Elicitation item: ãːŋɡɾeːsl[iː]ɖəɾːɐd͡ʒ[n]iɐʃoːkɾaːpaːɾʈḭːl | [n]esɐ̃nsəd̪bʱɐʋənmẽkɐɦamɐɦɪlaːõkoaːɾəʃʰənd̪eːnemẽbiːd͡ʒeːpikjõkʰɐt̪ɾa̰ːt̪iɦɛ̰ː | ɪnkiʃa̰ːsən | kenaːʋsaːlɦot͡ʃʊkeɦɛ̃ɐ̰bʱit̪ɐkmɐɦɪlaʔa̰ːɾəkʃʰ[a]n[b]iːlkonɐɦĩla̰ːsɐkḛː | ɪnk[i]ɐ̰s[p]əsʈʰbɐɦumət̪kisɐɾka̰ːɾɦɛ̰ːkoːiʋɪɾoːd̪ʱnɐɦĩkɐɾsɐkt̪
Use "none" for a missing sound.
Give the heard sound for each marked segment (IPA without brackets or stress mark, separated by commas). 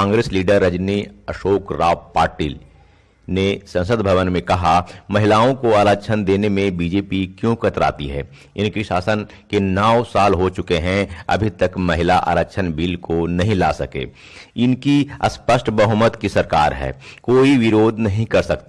iː, n, n, ə, b, i, p